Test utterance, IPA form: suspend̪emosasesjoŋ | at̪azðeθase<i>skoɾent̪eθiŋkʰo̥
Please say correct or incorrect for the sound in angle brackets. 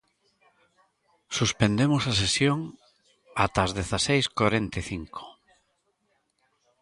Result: incorrect